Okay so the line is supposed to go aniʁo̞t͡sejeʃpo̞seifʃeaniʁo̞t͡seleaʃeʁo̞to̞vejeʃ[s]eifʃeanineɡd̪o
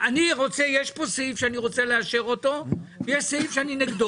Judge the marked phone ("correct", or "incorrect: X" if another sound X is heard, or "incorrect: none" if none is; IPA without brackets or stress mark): correct